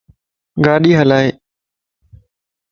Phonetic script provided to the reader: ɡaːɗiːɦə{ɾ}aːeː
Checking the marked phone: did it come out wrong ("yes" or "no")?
yes